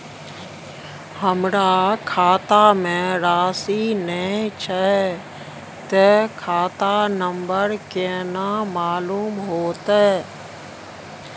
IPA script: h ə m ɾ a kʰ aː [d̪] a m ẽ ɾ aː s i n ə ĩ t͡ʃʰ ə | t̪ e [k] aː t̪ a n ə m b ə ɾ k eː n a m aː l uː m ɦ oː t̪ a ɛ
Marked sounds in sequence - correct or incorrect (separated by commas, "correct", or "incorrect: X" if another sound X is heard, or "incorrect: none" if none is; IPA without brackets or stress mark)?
incorrect: t̪, incorrect: kʰ